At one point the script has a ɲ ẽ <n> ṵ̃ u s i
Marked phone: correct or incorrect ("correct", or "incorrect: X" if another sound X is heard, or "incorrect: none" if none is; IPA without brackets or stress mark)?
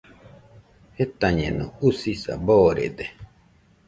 correct